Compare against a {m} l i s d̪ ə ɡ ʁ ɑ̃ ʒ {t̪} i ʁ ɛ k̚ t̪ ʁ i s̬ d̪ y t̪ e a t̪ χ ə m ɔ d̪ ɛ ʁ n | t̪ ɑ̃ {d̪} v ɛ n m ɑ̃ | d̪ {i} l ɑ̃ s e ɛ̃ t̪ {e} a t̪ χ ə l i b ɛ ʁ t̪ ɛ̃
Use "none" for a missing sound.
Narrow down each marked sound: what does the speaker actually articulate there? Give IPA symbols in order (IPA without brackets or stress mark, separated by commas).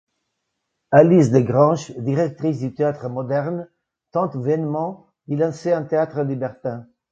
none, d̪, t̪, i, e